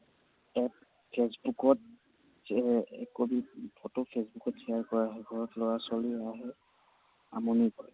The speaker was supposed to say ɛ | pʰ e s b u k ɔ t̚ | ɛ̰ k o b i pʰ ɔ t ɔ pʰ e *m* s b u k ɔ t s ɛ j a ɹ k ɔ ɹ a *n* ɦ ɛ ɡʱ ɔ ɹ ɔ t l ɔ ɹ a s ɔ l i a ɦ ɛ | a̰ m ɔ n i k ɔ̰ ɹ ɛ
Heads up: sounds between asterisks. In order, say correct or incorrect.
incorrect: none, incorrect: none

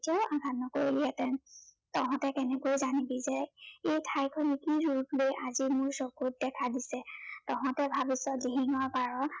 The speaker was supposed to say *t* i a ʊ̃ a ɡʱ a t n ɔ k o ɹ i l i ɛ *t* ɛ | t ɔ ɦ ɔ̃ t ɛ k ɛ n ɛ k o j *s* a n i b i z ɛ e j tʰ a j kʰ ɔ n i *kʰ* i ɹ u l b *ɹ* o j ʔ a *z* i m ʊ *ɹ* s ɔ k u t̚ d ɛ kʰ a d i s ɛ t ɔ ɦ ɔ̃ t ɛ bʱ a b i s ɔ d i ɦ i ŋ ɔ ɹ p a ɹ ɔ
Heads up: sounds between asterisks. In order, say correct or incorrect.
correct, correct, incorrect: z, incorrect: k, incorrect: l, correct, correct

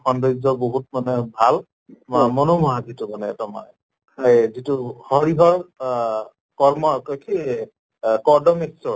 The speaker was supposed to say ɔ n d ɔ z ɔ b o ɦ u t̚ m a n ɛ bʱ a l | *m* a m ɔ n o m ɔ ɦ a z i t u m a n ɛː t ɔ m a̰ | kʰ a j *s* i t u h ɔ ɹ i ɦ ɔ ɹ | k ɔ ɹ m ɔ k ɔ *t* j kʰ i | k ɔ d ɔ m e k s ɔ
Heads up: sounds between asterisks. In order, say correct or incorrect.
correct, incorrect: z, incorrect: none

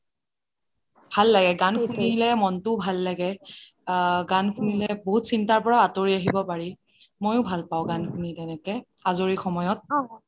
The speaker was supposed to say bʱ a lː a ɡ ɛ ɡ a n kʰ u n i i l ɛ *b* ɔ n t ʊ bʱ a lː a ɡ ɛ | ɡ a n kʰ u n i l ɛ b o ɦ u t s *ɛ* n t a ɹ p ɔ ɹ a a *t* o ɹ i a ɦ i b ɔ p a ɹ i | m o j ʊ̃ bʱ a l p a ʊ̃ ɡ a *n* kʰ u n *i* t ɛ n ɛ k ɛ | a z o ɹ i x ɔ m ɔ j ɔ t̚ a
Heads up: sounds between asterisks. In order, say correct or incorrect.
incorrect: m, incorrect: i, correct, correct, correct

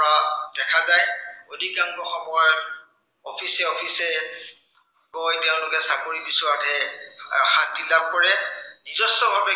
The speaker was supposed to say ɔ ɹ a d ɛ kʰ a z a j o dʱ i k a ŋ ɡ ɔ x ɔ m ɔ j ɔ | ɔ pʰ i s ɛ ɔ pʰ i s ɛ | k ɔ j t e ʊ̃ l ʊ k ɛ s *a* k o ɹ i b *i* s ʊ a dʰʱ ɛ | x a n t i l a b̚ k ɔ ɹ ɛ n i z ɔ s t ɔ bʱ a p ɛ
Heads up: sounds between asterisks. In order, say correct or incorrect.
correct, correct

